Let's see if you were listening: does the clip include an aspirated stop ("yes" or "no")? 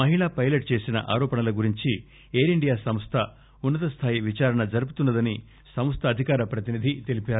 yes